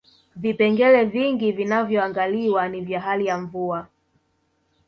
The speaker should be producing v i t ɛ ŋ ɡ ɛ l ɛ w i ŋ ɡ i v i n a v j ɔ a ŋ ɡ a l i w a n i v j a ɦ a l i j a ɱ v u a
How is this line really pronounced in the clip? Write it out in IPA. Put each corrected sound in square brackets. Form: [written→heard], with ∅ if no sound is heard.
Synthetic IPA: v i [t→p] ɛ ŋ ɡ ɛ l ɛ [w→v] i ŋ ɡ i v i n a v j ɔ a ŋ ɡ a l i w a n i v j a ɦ a l i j a ɱ v u a